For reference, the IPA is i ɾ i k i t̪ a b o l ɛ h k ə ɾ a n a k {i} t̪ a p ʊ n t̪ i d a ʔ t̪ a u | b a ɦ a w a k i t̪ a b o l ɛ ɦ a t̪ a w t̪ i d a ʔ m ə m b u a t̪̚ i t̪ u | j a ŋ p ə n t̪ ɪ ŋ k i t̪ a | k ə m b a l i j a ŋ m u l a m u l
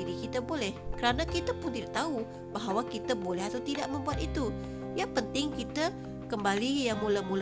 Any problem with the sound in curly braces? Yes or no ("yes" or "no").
no